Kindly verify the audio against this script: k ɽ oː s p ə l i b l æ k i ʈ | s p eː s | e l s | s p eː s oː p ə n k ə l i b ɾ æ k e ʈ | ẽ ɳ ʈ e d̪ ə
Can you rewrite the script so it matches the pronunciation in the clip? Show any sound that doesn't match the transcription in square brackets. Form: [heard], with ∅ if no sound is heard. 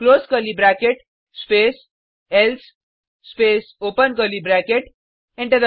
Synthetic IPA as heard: k [l] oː s [k] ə l i b [ɾ] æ k [e] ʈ | s p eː s | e l s | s p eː s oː p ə n k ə l i b ɾ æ k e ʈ | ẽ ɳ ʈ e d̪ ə